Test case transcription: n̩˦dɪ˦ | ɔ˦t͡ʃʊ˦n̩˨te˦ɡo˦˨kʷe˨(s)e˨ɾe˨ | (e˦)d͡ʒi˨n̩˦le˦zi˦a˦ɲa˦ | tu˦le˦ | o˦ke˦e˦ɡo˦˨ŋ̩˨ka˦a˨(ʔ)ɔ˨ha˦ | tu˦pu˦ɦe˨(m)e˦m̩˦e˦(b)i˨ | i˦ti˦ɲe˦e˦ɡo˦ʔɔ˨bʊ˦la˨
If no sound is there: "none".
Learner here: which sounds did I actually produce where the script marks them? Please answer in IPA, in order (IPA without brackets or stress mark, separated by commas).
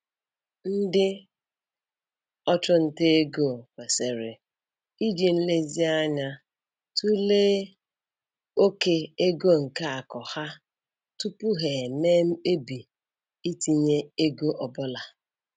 s, i˦, k, m, b